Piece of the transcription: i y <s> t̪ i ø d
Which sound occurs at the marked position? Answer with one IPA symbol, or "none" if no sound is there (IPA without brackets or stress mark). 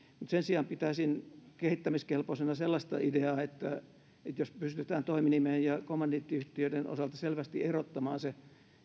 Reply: h